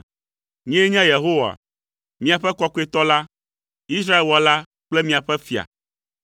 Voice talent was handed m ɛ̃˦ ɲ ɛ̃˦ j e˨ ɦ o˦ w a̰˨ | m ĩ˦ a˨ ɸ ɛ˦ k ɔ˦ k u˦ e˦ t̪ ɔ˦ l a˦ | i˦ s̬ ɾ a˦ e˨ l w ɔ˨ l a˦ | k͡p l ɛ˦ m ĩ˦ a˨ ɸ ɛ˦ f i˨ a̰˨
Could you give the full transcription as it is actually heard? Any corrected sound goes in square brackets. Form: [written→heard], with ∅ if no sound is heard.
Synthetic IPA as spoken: [m→ɲ] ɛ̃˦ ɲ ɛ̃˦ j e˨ ɦ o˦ w a̰˨ | m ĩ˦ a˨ ɸ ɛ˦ k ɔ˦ k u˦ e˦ t̪ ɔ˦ l a˦ | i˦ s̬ ɾ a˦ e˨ l w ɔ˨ l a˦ | k͡p l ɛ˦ m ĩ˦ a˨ ɸ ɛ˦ f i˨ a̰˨